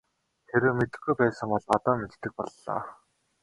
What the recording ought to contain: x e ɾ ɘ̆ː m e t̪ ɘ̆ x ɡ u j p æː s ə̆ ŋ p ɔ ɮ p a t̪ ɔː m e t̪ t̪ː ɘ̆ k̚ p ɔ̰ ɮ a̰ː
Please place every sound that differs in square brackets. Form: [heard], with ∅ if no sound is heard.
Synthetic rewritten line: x e ɾ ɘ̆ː m e t̪ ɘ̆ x ɡ u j p æː s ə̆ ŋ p ɔ ɮ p a t̪ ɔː m e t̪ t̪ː ɘ̆ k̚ p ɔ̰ [ɮː] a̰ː